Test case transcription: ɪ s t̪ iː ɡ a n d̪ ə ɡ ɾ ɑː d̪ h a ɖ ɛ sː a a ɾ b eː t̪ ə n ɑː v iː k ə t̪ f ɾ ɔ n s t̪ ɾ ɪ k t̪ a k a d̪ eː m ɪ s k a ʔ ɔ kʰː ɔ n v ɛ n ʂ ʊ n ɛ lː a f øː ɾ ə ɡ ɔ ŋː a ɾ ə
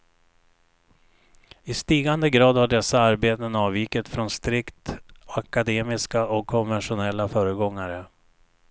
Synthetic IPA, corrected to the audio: ɪ s t̪ iː ɡ a n d̪ ə ɡ ɾ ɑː d̪ h a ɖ ɛ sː a a ɾ b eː t̪ ə n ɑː v iː k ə t̪ f ɾ ɔ n s t̪ ɾ ɪ k t̪ a k a d̪ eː m ɪ s k a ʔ ɔ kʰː ɔ n v ɛ n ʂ ʊ n ɛ lː a f œː ɾ ə ɡ ɔ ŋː a ɾ ə